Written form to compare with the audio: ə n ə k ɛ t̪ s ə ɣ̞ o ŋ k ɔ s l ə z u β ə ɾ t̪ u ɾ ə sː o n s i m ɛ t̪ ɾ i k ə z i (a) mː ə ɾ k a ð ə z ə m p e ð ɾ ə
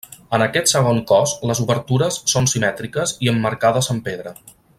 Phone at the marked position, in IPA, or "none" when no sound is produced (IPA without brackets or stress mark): ə